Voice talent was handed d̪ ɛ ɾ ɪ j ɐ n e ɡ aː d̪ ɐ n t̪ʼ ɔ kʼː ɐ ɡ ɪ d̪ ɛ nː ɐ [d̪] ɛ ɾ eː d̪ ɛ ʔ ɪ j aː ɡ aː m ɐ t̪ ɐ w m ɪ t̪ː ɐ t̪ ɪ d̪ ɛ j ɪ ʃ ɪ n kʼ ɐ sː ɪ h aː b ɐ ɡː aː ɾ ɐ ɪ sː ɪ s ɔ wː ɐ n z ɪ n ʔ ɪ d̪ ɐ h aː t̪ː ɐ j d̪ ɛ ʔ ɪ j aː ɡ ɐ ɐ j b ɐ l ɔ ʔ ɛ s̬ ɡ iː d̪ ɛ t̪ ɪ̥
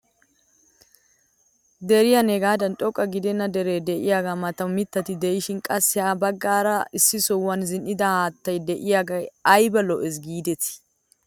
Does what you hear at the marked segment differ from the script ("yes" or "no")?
no